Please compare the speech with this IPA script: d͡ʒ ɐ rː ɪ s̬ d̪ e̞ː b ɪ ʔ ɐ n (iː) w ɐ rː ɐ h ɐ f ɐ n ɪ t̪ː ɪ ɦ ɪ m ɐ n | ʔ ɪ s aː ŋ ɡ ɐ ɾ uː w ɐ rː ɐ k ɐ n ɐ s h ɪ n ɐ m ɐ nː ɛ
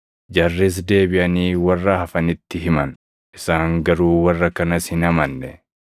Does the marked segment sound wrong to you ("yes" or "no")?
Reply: no